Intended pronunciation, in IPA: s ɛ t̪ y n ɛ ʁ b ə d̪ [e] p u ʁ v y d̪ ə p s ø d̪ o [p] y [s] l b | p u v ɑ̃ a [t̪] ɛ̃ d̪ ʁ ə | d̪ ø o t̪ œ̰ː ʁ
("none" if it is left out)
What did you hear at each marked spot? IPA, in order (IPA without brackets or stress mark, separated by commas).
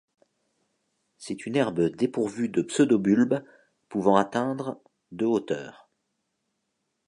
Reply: e, b, none, t̪